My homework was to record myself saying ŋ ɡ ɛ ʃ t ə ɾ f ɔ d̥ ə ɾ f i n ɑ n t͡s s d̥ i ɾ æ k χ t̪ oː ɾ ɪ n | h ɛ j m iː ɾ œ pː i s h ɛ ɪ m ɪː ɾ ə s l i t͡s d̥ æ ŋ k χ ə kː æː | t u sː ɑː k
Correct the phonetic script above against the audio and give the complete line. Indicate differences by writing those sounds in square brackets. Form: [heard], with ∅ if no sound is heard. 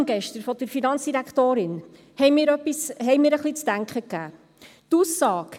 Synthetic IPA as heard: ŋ ɡ ɛ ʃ t ə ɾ f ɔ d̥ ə ɾ f i n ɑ n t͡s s d̥ i ɾ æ k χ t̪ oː ɾ ɪ n | h ɛ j m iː ɾ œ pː i s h ɛ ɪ m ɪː ɾ ə [χ] l i t͡s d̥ æ ŋ k χ ə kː æː | t u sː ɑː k

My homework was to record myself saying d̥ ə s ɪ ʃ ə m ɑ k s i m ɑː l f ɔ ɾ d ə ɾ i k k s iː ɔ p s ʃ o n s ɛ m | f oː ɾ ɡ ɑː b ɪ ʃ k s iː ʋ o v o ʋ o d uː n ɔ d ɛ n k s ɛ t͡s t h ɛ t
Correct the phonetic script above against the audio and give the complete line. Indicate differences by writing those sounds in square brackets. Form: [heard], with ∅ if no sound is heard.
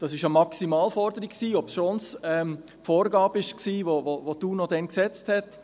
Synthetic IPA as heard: d̥ [ɑ] s ɪ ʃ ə m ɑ k s i m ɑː l f ɔ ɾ d ə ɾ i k k s iː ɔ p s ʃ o n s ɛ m | f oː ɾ ɡ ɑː b ɪ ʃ k s iː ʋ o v o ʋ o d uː n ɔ d ɛ n k s ɛ t͡s t h ɛ t

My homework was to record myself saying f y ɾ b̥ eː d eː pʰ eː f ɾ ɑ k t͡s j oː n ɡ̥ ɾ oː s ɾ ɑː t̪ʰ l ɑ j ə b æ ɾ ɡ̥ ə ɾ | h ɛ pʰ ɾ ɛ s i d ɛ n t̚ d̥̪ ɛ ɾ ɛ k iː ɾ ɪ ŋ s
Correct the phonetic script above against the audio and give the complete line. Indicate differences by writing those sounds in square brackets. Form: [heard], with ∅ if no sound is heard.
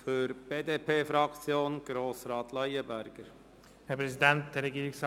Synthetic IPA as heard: f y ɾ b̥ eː d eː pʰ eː f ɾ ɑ k t͡s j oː n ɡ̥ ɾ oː s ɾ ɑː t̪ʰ l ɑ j ə b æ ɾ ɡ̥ ə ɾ | h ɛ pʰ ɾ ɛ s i d ɛ n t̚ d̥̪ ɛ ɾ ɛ [ɡ] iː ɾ ɪ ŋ s

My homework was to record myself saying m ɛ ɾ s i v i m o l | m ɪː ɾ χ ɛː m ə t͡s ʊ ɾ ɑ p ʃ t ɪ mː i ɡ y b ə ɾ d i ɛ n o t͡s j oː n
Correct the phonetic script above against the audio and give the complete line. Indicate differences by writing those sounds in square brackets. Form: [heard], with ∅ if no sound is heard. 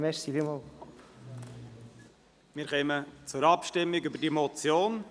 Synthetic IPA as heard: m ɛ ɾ s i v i m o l | m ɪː ɾ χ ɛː m ə t͡s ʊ ɾ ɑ p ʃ t ɪ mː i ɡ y b ə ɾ d i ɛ [m] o t͡s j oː n

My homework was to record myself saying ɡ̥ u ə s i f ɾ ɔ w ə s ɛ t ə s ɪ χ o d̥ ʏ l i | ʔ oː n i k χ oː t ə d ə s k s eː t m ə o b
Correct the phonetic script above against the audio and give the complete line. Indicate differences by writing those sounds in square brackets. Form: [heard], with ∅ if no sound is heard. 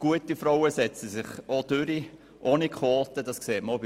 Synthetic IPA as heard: ɡ̥ u ə [t] i f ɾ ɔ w ə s ɛ [t͡s] ə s ɪ χ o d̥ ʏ [ɾ] i | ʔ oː n i k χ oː t ə d [ɑ] s k s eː t m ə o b

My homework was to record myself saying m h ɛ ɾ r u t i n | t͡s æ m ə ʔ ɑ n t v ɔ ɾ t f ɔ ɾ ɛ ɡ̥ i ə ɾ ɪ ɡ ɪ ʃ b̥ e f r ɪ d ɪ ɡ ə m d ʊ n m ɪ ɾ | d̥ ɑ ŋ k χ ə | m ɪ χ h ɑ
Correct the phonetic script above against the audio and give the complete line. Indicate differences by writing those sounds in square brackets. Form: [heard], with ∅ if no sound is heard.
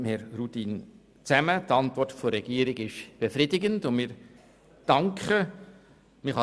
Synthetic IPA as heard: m h ɛ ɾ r u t i n | t͡s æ m ə [t] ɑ n t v ɔ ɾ t f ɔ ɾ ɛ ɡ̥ i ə ɾ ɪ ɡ ɪ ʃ b̥ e f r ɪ d ɪ ɡ ə [n] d ʊ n m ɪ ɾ | d̥ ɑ ŋ k χ ə | m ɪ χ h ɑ

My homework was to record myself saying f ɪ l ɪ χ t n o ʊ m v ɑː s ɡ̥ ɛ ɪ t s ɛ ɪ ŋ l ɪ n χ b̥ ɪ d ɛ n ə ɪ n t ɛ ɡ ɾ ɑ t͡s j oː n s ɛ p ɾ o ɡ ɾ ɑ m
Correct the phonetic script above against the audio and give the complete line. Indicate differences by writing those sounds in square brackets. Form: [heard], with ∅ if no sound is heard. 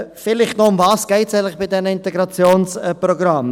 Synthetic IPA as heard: f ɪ l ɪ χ t n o ʊ m v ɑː s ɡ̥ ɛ ɪ t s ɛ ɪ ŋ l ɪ [∅] χ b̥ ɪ d ɛ n ə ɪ n t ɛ ɡ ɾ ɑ t͡s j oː n s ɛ p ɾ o ɡ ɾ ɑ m

